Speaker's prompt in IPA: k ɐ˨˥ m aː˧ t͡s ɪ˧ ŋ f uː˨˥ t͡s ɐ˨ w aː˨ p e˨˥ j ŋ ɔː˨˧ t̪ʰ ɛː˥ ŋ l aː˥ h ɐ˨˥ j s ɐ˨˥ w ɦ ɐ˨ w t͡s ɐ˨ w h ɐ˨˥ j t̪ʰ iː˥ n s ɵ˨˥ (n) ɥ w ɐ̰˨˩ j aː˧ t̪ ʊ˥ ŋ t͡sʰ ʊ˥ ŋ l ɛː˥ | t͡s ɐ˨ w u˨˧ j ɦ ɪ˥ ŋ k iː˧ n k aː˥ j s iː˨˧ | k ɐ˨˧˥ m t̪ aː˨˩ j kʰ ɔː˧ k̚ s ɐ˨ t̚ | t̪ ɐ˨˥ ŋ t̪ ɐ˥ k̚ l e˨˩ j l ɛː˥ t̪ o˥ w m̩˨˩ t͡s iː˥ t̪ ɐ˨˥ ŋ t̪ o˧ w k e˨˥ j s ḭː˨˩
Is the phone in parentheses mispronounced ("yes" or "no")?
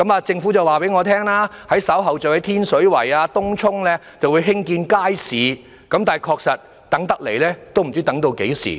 yes